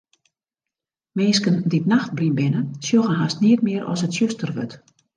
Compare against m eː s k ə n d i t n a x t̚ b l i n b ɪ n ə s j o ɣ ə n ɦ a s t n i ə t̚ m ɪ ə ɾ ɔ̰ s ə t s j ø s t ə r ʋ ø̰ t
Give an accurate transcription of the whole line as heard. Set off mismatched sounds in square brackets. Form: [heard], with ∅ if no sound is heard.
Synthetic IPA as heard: m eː s k ə n d i t n a x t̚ b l i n b ɪ n ə s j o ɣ ə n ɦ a s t n i ə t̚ m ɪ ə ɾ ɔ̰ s ə t s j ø s t ə r ʋ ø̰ t

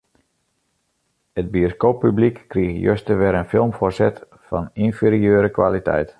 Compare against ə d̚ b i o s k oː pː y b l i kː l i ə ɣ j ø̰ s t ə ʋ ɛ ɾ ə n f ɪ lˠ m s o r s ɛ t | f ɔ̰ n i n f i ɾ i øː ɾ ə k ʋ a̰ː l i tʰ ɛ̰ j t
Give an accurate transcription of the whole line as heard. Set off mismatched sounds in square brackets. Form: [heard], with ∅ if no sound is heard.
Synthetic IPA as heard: ə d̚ b i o s k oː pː y b l i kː [r] i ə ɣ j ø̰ s t ə ʋ ɛ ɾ ə n f ɪ lˠ m [f] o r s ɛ t | f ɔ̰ n i n f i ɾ i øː ɾ ə k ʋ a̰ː l i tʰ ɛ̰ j t

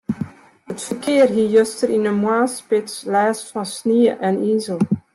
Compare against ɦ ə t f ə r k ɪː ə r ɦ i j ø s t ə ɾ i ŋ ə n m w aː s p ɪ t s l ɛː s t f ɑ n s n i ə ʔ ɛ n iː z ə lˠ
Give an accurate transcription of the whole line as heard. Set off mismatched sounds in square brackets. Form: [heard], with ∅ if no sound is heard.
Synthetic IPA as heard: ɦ ə t f ə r k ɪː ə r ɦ i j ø s t ə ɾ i [n] ə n m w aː s p ɪ t s l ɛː s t f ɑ n s n i ə ʔ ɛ n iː z ə lˠ

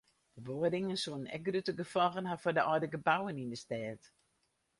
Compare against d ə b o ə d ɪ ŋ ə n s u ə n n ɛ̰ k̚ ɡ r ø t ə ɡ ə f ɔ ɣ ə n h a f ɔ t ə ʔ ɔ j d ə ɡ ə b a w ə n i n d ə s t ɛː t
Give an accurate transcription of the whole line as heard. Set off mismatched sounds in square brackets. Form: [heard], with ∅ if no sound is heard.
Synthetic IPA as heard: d ə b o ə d ɪ ŋ ə n s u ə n n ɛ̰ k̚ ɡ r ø t ə ɡ ə f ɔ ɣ ə n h a f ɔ [d] ə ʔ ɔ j d ə ɡ ə b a w ə n i n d ə s t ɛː t

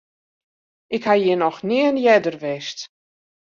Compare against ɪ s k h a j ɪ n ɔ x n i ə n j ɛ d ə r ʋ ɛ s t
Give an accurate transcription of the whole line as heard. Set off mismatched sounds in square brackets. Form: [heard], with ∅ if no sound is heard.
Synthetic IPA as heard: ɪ [∅] k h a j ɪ n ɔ x n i ə n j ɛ d ə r ʋ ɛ s t

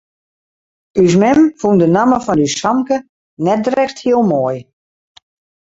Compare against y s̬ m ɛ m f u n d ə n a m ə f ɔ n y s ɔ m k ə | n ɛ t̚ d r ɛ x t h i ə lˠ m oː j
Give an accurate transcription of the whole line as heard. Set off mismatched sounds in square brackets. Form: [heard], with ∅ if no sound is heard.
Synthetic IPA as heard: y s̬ m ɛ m f u n d ə n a m ə f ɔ n y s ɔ m k ə | n ɛ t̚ d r ɛ x t h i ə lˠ m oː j

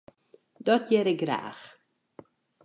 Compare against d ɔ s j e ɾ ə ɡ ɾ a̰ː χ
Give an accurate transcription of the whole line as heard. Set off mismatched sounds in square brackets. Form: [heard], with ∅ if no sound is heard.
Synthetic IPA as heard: d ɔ [t] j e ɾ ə ɡ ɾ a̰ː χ

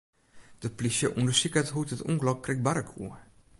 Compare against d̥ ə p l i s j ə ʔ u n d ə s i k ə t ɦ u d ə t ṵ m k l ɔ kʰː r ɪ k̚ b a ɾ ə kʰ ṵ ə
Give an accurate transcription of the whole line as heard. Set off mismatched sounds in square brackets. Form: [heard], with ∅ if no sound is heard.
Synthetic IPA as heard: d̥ ə p l i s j ə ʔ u n d ə s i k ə t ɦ u [t] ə t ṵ [ŋ] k l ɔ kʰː r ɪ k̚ b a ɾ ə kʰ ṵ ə

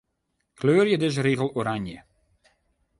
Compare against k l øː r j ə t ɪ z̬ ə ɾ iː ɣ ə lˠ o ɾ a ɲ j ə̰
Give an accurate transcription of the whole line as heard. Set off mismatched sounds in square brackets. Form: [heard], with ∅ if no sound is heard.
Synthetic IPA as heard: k l øː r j ə [d] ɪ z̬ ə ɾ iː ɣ ə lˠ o ɾ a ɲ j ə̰

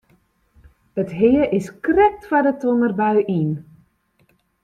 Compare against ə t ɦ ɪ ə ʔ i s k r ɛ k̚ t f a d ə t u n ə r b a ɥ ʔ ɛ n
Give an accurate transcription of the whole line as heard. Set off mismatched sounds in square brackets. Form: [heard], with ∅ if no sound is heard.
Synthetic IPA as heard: ə t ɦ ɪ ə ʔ [ɪ] s k r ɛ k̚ t f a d ə t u n ə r b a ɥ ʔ [i] n

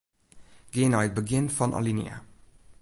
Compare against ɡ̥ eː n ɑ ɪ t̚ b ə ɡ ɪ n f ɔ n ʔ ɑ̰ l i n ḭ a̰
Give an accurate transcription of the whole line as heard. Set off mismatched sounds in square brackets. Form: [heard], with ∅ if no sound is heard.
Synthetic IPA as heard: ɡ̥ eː n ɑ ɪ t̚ b ə ɡ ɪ n f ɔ n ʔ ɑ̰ l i n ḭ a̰

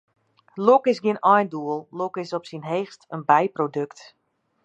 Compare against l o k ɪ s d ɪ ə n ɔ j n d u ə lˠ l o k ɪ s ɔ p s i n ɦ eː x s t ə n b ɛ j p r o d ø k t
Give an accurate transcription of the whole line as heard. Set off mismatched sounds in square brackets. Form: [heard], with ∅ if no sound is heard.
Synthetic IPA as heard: l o k ɪ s [ɡ] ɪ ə n ɔ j n d u ə lˠ l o k ɪ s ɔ p s i n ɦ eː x s t ə n b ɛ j p r o d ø k t

